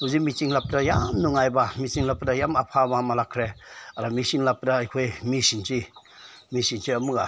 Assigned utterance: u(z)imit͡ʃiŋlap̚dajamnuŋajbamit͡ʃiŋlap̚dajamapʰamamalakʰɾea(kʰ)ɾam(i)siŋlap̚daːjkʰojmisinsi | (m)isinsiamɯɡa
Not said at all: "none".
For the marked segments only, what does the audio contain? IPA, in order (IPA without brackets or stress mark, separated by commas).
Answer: z, none, i, m